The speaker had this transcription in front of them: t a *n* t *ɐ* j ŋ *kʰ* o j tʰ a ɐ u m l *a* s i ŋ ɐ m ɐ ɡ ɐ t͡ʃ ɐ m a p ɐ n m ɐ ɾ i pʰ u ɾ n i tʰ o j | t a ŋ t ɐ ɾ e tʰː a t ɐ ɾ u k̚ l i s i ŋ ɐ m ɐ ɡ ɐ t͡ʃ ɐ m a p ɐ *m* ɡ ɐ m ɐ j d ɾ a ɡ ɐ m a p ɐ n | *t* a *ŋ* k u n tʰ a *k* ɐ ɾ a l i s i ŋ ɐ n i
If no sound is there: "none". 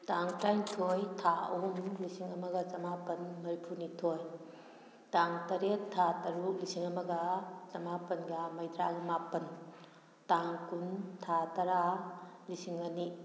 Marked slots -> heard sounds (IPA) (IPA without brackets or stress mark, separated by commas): ŋ, a, tʰ, i, n, t, ŋ, t